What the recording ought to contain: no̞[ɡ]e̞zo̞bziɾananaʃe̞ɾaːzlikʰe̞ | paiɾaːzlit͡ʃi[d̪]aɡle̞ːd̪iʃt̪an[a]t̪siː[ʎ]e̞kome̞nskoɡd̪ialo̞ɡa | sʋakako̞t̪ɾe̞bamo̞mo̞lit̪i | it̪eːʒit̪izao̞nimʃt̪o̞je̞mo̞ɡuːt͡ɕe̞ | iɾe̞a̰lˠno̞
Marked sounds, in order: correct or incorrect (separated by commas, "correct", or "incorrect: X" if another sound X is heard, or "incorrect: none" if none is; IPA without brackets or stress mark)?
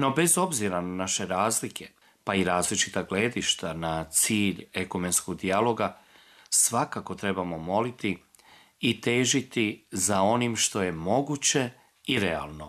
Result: incorrect: b, incorrect: t̪, correct, correct